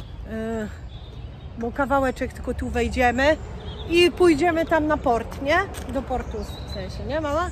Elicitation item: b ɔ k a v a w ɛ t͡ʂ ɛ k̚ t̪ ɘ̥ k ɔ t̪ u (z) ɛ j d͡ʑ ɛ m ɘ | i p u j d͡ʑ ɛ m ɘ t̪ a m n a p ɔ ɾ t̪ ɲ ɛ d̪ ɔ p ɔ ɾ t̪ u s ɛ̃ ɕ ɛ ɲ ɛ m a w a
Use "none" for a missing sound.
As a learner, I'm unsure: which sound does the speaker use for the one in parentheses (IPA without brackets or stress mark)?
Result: v